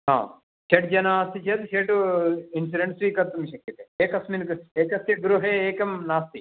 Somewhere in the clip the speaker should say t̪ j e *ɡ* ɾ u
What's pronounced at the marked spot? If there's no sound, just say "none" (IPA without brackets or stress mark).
ɡ